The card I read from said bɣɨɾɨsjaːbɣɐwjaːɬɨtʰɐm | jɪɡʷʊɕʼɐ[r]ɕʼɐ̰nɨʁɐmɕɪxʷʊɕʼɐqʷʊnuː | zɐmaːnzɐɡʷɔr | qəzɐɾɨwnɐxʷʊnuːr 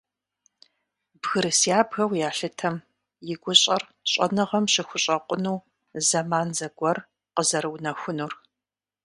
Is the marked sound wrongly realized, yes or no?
no